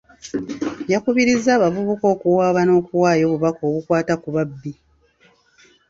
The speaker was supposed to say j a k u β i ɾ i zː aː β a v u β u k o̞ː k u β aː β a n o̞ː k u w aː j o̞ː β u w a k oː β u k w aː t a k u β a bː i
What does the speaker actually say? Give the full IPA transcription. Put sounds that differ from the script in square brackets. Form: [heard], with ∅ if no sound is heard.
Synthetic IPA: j a k u β i ɾ i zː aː β a v u β u k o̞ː k u [w] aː β a n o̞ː k u w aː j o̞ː β u [β] a k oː β u k w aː t a k u β a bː i

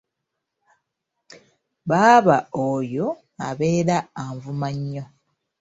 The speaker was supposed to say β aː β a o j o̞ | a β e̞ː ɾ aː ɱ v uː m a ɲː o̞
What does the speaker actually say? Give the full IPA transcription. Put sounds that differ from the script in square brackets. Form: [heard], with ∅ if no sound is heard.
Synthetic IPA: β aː β a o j o̞ | a β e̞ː ɾ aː ɱ v [u] m a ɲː o̞

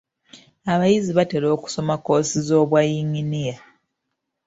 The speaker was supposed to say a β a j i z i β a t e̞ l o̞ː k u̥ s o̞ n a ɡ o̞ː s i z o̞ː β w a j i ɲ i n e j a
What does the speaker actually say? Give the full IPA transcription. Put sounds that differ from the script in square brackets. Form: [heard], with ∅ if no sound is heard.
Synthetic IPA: a β a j i z i β a t e̞ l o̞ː k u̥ s o̞ [m] a [k] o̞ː s i z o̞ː β w a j i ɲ i n [i] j a

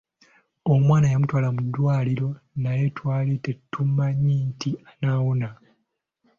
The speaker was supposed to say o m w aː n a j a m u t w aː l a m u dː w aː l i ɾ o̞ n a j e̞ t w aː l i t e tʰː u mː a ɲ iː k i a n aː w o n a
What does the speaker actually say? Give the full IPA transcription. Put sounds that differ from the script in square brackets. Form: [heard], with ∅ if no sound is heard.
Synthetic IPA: o m w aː n a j a m u t w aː l a m u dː w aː l i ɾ o̞ n a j e̞ t w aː l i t e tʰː u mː a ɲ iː [t] i a n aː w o n a

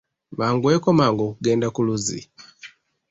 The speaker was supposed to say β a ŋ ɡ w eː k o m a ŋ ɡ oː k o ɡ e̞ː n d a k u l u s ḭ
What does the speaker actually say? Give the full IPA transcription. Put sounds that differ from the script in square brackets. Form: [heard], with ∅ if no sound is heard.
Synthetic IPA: β a ŋ ɡ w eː k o m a ŋ ɡ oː k [u] ɡ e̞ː n d a k u l u [z] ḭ

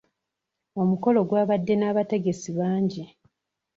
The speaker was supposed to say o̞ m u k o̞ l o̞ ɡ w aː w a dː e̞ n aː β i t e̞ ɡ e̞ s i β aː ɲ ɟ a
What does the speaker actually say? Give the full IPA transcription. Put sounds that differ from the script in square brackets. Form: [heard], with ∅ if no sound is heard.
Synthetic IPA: o̞ m u k o̞ l o̞ ɡ w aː [β] a dː e̞ n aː β [a] t e̞ ɡ e̞ s i β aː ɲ ɟ [i]

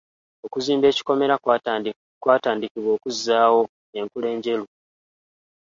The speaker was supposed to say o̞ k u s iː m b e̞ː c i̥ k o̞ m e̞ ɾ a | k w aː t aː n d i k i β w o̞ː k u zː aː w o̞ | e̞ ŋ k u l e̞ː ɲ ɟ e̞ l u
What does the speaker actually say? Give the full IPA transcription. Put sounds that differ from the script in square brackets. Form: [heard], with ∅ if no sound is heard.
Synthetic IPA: o̞ k u [z] iː m b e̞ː c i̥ k o̞ m e̞ ɾ a | k w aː t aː n d i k i β w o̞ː k u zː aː w o̞ | e̞ ŋ k u l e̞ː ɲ ɟ e̞ l u

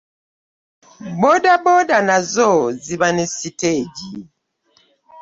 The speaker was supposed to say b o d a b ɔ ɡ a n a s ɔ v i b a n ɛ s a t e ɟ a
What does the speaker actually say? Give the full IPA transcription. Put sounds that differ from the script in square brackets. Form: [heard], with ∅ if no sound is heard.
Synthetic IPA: b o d a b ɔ [d] a n a [z] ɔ [z] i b a n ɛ s [i] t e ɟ [i]

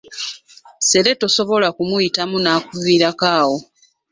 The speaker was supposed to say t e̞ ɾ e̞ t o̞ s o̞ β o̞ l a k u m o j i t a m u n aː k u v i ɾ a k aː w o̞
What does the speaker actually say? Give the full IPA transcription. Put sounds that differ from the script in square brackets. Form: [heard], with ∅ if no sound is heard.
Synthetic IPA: [s] e̞ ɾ e̞ t o̞ s o̞ β o̞ l a k u m [u] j i t a m u n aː k u v i ɾ a k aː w o̞

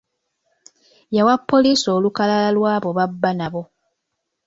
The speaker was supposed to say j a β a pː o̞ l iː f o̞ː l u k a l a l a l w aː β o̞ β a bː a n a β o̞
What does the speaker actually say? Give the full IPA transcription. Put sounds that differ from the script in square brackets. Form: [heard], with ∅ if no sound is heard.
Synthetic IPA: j a [w] a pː o̞ l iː [s] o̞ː l u k a l a l a l w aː β o̞ β a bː a n a β o̞

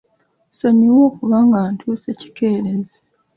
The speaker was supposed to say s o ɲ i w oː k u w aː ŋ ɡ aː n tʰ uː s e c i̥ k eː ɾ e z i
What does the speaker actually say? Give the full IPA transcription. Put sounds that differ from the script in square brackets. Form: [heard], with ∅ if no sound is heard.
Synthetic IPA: s o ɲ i w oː k u [β] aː ŋ ɡ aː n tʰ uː s e c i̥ k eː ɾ e z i

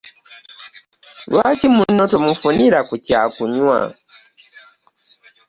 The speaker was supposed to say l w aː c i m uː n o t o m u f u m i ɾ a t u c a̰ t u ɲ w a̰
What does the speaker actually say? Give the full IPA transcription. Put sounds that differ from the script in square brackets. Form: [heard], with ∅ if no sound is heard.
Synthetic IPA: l w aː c i m [u] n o t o m u f u [n] i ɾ a [k] u c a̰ [k] u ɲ w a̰

